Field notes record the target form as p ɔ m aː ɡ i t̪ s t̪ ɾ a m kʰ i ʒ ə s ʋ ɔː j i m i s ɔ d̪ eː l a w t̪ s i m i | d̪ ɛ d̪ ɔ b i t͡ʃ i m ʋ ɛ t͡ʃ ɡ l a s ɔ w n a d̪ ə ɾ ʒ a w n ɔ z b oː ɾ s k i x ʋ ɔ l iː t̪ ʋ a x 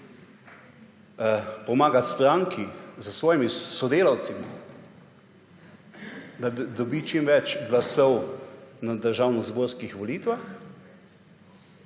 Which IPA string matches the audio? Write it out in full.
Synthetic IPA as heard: p ɔ m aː ɡ a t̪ s t̪ ɾ a ŋ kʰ i z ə s ʋ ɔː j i m i s ɔ d̪ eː l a w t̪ s i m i | d̪ a d̪ ɔ b i t͡ʃ i m ʋ ɛ t͡ʃ ɡ l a s ɔ w n a d̪ ə ɾ ʒ a w n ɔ z b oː ɾ s k i x ʋ ɔ l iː t̪ ʋ a x